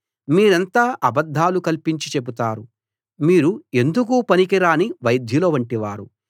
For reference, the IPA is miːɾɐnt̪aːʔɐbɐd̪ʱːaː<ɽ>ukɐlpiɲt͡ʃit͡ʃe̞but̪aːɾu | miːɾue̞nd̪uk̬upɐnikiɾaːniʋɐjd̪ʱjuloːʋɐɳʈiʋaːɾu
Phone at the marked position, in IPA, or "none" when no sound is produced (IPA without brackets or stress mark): l